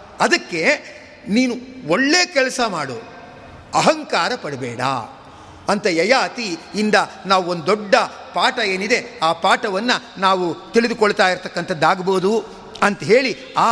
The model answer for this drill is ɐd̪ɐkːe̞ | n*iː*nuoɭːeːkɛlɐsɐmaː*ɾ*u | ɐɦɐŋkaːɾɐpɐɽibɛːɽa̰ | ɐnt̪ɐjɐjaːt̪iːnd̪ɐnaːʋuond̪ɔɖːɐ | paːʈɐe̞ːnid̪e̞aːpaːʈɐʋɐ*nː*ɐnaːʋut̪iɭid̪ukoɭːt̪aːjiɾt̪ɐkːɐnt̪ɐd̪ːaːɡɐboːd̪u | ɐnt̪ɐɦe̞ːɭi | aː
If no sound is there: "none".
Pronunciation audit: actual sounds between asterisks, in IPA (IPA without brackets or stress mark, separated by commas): iː, ɽ, nː